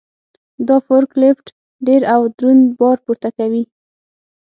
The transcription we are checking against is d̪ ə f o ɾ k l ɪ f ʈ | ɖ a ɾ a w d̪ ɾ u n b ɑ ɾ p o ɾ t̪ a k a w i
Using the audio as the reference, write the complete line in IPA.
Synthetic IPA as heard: d̪ ɑ f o ɾ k l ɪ f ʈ | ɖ e ɾ a w d̪ ɾ u n b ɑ ɾ p u ɾ t̪ a k a w i